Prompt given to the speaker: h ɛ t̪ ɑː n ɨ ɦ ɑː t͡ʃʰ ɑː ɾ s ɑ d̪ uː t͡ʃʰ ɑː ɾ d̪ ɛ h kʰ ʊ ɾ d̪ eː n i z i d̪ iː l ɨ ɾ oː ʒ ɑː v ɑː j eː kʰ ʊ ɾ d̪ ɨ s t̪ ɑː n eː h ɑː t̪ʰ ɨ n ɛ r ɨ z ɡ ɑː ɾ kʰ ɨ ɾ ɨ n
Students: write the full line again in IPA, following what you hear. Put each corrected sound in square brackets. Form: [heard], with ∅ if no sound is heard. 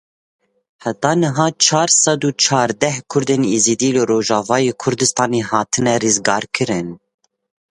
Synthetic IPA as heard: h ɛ t̪ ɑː n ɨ ɦ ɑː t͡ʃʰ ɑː ɾ s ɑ d̪ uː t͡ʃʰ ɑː ɾ d̪ ɛ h kʰ ʊ ɾ d̪ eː n i z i d̪ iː l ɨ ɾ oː ʒ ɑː v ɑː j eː kʰ ʊ ɾ d̪ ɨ s t̪ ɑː n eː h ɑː t̪ʰ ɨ n ɛ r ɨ z ɡ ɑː ɾ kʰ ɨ ɾ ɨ n

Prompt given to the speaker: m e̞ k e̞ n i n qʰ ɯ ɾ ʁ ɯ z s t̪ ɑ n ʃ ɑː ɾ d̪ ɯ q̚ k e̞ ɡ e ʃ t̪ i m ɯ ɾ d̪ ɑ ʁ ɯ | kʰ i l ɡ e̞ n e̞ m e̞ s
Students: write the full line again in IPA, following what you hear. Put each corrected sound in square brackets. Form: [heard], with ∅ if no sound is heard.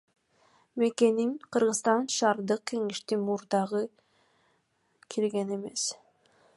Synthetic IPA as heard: m e̞ k e̞ n i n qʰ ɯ ɾ ʁ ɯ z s t̪ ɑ n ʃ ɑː ɾ d̪ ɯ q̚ k e̞ [ŋ] e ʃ t̪ i m [u] ɾ d̪ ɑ ʁ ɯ | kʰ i l ɡ e̞ n e̞ m e̞ s

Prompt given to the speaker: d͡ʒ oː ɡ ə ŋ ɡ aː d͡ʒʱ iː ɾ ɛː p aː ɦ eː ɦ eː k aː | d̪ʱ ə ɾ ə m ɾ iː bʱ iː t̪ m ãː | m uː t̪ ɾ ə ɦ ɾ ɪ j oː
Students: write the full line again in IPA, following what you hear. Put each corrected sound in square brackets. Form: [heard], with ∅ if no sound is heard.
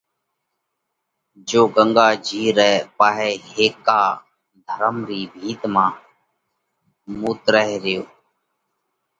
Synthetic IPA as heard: d͡ʒ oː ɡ ə ŋ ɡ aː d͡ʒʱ iː ɾ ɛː p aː ɦ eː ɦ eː k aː | d̪ʱ ə ɾ ə m ɾ iː bʱ iː t̪ m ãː | m uː t̪ ɾ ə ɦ ɾ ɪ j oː

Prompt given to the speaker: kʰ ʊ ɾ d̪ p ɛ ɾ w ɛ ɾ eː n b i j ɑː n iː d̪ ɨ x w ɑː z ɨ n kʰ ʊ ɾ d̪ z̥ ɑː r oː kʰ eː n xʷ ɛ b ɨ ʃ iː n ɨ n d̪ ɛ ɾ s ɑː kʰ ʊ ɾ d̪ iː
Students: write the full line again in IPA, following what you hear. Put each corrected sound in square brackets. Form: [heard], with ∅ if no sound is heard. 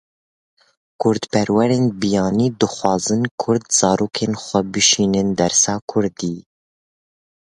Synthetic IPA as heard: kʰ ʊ ɾ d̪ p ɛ ɾ w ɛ ɾ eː n b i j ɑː n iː d̪ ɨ x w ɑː z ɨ n kʰ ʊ ɾ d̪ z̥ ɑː [ɾ] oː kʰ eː n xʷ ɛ b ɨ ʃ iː n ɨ n d̪ ɛ ɾ s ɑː kʰ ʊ ɾ d̪ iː

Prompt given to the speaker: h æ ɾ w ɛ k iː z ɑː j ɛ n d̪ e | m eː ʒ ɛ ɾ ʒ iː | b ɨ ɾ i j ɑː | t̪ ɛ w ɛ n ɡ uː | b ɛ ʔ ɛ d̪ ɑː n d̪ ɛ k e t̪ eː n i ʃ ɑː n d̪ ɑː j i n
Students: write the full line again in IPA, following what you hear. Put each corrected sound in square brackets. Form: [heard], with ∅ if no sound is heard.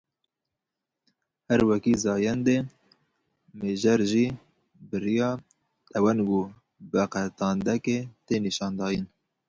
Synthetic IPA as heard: h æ ɾ w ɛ k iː z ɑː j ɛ n d̪ e | m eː ʒ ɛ ɾ ʒ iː | b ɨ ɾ i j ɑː | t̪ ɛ w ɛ n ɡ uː | b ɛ [q] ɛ [t̪] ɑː n d̪ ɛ k e t̪ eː n i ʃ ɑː n d̪ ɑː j i n

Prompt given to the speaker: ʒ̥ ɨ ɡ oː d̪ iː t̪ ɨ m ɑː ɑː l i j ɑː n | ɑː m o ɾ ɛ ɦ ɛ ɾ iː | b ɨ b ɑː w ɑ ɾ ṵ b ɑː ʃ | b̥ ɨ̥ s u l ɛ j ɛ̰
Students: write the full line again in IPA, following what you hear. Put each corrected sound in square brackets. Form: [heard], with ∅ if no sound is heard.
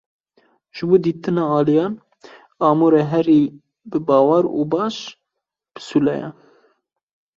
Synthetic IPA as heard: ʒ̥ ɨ [b] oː d̪ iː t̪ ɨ [n] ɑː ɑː l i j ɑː n | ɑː m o ɾ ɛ ɦ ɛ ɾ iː | b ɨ b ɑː w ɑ ɾ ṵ b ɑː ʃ | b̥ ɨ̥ s u l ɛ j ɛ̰

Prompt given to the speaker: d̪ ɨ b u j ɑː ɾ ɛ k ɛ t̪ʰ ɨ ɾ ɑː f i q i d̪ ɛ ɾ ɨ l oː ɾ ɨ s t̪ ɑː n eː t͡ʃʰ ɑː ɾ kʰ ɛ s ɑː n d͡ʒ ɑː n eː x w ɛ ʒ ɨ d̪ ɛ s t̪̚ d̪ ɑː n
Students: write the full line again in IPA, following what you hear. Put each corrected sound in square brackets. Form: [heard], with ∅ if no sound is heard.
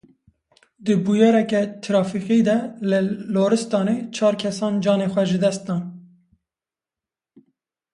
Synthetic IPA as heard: d̪ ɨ b u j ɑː ɾ ɛ k ɛ t̪ʰ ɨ ɾ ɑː f i q i d̪ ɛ [l] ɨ l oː ɾ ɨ s t̪ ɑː n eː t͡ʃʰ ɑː ɾ kʰ ɛ s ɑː n d͡ʒ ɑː n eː x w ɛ ʒ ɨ d̪ ɛ s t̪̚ d̪ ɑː n

